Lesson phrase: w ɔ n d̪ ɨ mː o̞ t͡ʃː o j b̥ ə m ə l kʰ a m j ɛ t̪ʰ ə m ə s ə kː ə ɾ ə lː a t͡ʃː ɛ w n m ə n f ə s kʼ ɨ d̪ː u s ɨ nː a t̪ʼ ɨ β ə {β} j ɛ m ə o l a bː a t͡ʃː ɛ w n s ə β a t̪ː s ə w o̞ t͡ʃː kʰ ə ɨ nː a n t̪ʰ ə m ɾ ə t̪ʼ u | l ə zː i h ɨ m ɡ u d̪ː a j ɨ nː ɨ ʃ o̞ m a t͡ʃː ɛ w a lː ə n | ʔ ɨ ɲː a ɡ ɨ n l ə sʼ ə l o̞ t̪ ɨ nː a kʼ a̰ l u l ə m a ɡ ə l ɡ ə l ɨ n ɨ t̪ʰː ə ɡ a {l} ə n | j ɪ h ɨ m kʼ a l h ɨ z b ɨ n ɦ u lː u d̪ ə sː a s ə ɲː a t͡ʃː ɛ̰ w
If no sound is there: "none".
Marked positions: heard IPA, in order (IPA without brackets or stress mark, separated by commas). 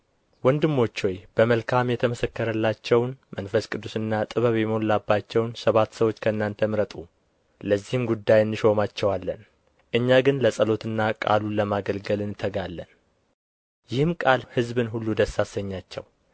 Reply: β, lː